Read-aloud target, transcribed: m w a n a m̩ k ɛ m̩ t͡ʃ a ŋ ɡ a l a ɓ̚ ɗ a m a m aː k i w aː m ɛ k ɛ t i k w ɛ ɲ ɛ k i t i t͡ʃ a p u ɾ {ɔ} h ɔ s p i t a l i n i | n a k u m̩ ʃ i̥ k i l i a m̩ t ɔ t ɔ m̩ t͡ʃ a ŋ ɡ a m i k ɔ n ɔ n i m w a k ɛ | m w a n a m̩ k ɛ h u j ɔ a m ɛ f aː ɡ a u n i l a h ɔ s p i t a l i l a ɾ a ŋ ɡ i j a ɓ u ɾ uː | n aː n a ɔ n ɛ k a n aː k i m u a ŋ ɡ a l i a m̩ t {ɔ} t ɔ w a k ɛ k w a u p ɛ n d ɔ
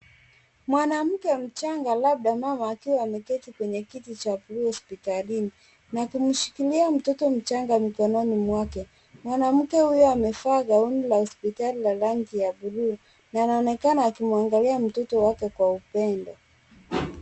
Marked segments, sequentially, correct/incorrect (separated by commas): incorrect, correct